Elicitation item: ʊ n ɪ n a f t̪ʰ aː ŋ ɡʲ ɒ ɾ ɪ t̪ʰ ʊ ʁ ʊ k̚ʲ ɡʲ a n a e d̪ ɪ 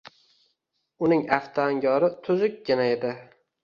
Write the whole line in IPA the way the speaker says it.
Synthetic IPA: ʊ n ɪ ŋ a f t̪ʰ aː ŋ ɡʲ ɒ ɾ ɪ t̪ʰ ʊ z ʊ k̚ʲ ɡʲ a n a e d̪ ɪ